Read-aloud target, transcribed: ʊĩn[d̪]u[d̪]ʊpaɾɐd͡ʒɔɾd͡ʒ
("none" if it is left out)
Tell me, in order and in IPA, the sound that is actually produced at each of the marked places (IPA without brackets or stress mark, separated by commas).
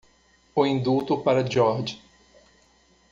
d̪, t̪